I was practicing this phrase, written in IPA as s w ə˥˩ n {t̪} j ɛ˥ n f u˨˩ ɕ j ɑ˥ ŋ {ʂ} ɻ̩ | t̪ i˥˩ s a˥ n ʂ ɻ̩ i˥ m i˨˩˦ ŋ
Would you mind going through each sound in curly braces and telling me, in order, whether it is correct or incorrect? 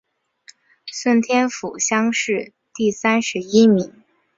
incorrect: t̪ʰ, correct

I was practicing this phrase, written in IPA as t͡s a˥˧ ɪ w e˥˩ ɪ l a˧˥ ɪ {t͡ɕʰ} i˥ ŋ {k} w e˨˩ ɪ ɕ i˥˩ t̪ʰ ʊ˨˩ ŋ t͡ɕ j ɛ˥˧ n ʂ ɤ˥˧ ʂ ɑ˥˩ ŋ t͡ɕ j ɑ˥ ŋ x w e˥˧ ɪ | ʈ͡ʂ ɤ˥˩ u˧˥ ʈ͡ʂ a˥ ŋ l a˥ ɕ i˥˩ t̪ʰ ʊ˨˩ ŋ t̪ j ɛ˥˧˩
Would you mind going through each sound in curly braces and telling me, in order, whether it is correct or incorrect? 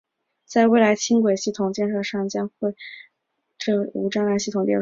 correct, correct

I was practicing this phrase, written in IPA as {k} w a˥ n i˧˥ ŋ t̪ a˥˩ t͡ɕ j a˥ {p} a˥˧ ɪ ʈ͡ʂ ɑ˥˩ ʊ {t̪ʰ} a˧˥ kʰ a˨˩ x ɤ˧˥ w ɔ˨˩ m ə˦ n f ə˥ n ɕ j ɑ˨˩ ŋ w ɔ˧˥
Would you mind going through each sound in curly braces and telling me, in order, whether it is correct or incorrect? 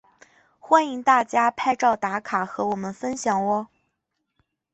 incorrect: x, incorrect: pʰ, incorrect: t̪

